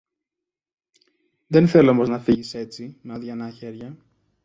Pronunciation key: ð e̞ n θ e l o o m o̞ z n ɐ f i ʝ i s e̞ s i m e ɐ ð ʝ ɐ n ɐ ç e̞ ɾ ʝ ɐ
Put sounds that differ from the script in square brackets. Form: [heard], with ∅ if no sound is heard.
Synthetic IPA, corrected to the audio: ð e̞ n θ e l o o m o̞ z n ɐ f i ʝ i s e̞ [t͡s] i m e ɐ ð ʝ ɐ n ɐ ç e̞ ɾ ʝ ɐ